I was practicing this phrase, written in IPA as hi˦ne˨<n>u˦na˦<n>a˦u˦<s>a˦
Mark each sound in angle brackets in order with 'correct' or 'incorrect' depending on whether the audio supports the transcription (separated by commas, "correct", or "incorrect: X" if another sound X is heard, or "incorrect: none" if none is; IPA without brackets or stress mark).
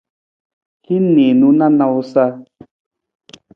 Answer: correct, correct, correct